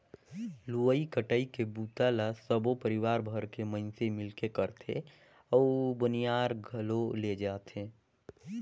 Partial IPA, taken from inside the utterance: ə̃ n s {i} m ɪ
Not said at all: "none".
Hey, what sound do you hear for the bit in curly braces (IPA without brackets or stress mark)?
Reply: e